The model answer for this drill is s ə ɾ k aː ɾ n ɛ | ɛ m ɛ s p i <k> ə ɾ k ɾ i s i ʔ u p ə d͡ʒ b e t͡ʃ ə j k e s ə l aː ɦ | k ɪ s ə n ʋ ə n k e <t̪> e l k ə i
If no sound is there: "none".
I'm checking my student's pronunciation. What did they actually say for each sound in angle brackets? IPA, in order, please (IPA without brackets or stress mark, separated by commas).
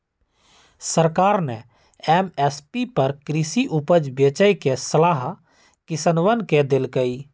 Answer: p, d̪